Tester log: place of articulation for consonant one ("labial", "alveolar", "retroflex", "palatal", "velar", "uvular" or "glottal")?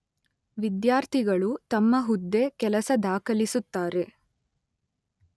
labial